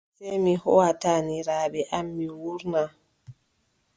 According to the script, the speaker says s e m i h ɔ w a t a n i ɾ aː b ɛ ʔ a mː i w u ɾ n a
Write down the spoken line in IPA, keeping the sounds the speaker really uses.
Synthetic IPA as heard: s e m i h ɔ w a t a n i ɾ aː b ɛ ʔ a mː i w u ɾ n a